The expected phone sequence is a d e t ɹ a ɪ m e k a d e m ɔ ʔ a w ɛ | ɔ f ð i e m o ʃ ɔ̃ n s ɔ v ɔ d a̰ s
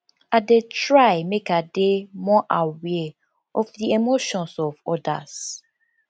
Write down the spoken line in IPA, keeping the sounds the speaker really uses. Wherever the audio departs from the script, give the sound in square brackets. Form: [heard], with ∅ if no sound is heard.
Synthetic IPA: a d e t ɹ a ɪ m e k a d e m ɔ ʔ a w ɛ | ɔ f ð i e m o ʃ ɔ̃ n s ɔ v ɔ d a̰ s